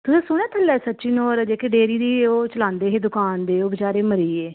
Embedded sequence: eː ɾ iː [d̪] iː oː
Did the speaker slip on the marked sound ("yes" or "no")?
no